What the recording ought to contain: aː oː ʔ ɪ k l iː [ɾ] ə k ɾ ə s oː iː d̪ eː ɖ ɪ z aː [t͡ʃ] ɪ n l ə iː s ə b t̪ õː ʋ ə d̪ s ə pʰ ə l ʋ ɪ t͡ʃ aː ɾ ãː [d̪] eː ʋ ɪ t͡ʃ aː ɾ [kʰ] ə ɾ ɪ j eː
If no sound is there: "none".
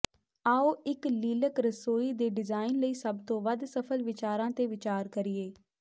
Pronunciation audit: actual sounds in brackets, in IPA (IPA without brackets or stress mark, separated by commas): l, none, t̪, k